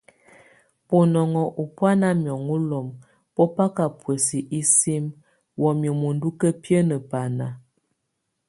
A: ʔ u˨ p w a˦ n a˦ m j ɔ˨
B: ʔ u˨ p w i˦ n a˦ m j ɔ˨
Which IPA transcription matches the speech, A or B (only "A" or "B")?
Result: A